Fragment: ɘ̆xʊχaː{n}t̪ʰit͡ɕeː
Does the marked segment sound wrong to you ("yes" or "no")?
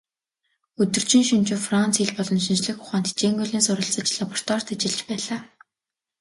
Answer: no